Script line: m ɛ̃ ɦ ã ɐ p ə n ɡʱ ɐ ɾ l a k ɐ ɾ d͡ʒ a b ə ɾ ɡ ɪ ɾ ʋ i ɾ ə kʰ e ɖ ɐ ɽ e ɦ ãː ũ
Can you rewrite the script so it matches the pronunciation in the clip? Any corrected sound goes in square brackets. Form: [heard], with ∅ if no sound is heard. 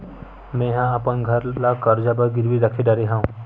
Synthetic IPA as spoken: m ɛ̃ ɦ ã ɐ p ə n ɡʱ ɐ ɾ l a k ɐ ɾ d͡ʒ a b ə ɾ ɡ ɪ ɾ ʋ i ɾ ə kʰ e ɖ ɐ [ɾ] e ɦ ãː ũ